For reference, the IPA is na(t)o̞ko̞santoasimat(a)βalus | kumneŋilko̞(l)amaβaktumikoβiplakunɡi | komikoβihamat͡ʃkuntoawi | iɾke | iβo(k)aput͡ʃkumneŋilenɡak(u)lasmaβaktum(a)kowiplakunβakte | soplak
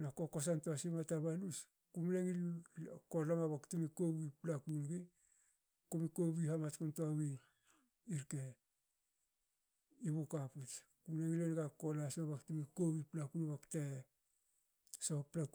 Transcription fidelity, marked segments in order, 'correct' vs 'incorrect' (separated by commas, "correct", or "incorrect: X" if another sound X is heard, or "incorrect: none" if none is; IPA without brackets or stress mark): incorrect: k, correct, correct, correct, incorrect: o, incorrect: i